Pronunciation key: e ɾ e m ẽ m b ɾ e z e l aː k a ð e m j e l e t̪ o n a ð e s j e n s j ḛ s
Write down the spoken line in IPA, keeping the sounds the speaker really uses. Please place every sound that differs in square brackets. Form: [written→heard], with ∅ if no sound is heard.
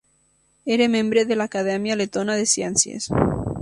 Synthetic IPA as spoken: e ɾ e m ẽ m b ɾ e [z→ð] e l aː k a ð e m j [e→a] l e t̪ o n a ð e s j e n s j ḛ s